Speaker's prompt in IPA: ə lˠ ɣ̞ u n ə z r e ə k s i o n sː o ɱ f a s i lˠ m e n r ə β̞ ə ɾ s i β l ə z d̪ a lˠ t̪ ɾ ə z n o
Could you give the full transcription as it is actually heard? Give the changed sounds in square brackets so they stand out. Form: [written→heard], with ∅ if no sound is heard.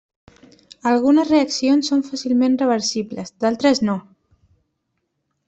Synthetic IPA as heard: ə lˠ ɣ̞ u n ə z r e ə k s i o n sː o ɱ f a s i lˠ m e n r ə β̞ ə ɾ s i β l ə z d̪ a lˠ t̪ ɾ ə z n o

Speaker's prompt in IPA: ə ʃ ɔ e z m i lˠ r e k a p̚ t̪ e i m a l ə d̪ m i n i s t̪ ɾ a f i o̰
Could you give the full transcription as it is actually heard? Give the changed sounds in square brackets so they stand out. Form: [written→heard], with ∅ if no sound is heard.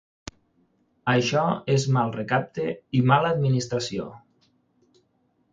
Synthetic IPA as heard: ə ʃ ɔ e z m [i→a] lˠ r e k a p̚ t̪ e i m a l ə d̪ m i n i s t̪ ɾ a [f→s] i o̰

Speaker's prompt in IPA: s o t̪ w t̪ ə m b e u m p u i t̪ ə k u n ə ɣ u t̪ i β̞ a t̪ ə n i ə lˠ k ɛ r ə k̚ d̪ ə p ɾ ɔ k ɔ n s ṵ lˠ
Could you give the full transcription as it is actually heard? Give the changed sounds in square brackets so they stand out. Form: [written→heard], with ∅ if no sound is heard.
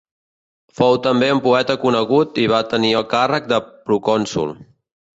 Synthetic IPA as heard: [s→f] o [t̪→∅] w t̪ ə m b e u m p u [i→ɛ] t̪ ə k u n ə ɣ u t̪ i β̞ a t̪ ə n i ə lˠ k [ɛ→a] r ə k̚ d̪ ə p ɾ [ɔ→u] k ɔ n s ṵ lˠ

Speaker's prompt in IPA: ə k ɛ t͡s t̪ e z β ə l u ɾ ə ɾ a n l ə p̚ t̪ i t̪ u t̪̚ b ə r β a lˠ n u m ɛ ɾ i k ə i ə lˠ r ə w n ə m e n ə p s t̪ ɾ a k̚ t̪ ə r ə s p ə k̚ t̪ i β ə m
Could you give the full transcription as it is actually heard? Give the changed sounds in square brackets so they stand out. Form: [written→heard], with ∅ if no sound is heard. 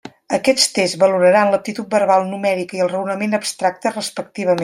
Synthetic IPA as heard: ə k ɛ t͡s t̪ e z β ə l u ɾ ə ɾ a n l ə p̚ t̪ i t̪ u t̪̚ b ə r β a lˠ n u m ɛ ɾ i k ə i ə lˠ r ə w n ə m e n ə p s t̪ ɾ a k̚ t̪ ə r ə s p ə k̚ t̪ i β ə m

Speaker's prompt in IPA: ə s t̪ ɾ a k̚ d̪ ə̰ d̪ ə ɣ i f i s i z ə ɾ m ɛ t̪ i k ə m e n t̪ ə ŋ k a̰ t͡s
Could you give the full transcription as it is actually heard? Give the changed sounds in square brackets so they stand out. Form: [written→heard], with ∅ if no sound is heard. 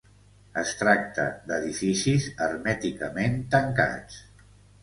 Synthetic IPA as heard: ə s t̪ ɾ a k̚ [d̪→t̪] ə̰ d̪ ə [ɣ→ð] i f i s i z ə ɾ m ɛ t̪ i k ə m e n t̪ ə ŋ k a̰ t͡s

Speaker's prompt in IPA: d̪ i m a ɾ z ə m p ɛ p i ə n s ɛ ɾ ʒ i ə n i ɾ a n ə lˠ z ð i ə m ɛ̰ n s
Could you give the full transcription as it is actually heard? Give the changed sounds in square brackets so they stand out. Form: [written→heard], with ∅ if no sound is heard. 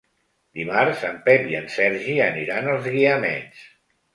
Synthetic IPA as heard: d̪ i m a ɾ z ə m p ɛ p i ə n s ɛ ɾ ʒ i ə n i ɾ a n ə lˠ z [ð→ɣ] i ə m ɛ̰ n s

